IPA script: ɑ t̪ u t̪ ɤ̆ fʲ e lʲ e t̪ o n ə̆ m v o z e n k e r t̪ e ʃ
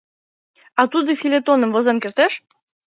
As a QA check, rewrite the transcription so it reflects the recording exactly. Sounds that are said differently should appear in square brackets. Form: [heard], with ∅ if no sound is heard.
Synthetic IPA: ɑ t̪ u [d̪] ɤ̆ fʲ [i] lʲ e t̪ o n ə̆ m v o z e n k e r t̪ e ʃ